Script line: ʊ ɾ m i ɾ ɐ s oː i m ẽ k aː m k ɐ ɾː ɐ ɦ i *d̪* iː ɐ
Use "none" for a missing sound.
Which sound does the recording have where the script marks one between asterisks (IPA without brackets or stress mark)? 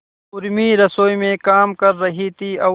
t̪